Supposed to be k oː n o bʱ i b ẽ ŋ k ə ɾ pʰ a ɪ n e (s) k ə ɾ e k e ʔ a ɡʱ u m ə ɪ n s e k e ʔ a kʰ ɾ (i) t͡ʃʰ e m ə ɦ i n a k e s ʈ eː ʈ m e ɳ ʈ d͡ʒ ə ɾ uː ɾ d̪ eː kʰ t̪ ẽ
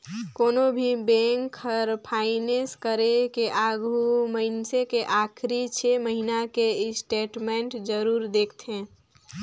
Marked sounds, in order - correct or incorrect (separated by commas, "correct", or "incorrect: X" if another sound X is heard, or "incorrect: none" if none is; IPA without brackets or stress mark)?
correct, correct